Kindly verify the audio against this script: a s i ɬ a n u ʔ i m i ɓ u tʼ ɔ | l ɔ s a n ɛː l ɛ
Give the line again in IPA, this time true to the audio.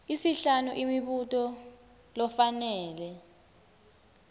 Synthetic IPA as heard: i s i ɬ a n u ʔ i m i ɓ u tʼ ɔ | l ɔ f a n ɛː l ɛ